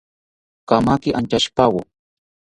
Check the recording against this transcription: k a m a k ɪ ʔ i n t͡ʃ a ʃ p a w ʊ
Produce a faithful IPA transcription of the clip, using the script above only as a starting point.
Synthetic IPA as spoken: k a m a k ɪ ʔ a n t͡ʃ a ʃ p a w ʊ